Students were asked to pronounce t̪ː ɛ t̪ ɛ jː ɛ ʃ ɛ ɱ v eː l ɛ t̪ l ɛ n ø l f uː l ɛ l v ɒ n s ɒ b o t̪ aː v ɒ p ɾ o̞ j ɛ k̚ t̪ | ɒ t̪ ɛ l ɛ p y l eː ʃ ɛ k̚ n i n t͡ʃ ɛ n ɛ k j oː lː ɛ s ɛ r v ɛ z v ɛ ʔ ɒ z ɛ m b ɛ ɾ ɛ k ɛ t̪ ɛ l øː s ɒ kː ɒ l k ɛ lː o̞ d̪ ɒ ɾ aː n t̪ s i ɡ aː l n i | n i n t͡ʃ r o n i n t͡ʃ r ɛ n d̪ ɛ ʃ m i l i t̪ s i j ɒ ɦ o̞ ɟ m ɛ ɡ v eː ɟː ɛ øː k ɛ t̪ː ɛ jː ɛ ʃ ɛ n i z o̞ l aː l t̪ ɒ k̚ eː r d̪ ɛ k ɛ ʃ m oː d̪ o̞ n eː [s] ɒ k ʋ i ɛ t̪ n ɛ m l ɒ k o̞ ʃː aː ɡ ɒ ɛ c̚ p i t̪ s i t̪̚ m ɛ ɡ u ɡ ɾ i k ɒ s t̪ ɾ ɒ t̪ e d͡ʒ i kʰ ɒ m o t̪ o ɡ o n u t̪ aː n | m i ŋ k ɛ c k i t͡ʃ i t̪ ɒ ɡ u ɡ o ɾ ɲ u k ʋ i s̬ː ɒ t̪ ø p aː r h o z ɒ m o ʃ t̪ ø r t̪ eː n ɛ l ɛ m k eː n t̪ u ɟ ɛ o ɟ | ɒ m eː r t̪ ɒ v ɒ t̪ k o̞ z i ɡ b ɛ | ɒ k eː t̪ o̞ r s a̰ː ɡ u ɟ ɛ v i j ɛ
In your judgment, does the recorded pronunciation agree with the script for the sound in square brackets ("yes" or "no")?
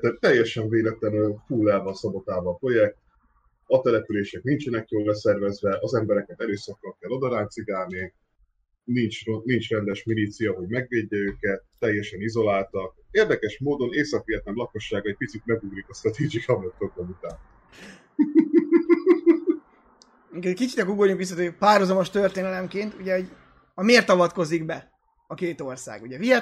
yes